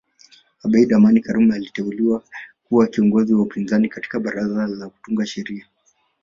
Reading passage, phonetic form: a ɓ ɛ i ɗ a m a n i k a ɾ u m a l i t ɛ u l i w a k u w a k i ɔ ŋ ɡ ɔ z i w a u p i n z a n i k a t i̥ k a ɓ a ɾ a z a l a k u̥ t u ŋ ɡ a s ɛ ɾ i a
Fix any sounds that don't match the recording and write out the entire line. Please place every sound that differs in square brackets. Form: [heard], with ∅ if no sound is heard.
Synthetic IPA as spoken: a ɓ [a] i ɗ a m a n i k a ɾ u m a l i t ɛ u l i w a k u w a k i ɔ ŋ ɡ ɔ z i w a u p i n z a n i k a t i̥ k a ɓ a ɾ a z a l a k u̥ t u ŋ ɡ a [ʃ] ɛ ɾ i a